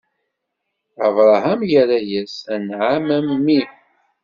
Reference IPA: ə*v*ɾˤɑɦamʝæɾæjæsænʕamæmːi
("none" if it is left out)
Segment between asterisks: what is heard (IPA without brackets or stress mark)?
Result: v